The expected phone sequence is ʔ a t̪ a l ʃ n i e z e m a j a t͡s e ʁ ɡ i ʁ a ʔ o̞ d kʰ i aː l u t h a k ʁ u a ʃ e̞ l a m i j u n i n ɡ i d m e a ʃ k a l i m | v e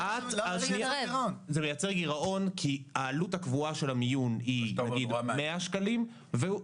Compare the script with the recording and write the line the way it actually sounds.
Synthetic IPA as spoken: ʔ a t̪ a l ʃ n i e z e m e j a t͡s e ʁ ɡ i ʁ a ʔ o̞ n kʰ i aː l u t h a k v u a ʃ e̞ l a m i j u n i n ɡ i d m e a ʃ k a l i m | v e